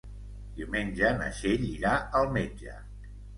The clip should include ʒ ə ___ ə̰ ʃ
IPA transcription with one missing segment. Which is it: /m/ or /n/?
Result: n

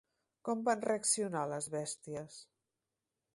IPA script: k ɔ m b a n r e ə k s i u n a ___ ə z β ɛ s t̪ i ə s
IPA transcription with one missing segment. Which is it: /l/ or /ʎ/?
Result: l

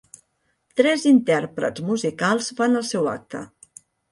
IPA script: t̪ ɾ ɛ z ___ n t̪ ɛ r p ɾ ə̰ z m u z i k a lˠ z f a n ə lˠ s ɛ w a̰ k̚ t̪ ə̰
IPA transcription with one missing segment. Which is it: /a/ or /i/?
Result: i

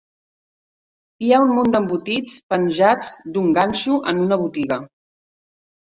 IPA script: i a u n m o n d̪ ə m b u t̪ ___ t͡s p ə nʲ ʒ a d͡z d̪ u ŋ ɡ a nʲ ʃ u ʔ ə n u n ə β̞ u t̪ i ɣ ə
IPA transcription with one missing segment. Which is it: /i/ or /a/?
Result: i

